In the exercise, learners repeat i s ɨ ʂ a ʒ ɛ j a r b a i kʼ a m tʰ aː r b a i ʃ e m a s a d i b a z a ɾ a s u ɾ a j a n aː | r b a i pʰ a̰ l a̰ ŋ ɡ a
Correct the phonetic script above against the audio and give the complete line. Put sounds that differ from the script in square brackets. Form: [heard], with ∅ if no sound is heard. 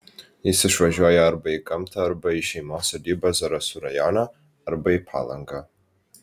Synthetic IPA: i s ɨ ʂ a ʒ [a] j a r b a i kʼ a m tʰ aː r b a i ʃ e m a s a d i b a z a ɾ a s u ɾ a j a n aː | r b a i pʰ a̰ l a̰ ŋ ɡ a